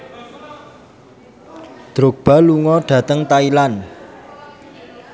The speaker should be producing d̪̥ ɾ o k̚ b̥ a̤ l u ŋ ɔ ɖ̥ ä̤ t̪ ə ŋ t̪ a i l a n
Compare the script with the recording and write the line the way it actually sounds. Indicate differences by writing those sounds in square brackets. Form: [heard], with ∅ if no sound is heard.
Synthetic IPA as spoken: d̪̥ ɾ o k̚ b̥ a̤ l u ŋ ɔ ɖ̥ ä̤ t̪ ə ŋ t̪ a i l a n